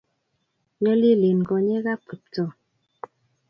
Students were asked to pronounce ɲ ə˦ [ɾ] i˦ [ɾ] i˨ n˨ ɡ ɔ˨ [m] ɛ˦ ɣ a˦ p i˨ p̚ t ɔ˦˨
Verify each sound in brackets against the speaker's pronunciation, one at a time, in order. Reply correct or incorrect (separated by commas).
incorrect, incorrect, incorrect